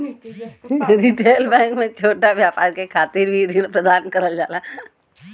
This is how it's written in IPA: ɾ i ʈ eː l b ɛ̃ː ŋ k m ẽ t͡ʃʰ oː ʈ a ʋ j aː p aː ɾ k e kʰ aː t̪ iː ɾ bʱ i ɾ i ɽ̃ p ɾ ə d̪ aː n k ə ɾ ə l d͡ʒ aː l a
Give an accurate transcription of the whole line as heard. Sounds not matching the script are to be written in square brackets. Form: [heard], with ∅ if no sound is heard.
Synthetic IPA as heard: ɾ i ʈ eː l b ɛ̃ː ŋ k m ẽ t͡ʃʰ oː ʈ a ʋ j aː p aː ɾ k e kʰ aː t̪ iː ɾ bʱ i ɾ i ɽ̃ p ɾ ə d̪ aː n k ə ɾ ə l d͡ʒ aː l a